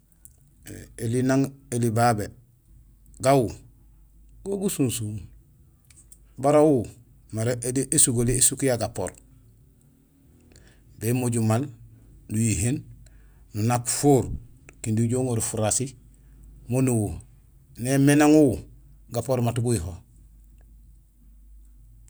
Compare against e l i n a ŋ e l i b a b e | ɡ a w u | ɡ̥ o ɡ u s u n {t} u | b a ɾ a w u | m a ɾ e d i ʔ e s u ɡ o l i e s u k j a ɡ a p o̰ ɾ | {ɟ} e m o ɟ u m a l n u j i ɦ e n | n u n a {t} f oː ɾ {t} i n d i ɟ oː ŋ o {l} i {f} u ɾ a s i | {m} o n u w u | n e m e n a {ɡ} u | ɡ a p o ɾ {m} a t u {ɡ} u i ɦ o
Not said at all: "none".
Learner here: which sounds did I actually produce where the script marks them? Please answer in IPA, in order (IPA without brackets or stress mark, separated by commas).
s, b, k, k, ɾ, f, m, ŋ, m, ɡ